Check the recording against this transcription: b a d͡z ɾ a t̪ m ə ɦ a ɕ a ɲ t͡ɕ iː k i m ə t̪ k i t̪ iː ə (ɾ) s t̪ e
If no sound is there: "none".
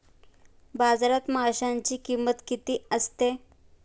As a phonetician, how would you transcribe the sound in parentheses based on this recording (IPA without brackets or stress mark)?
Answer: none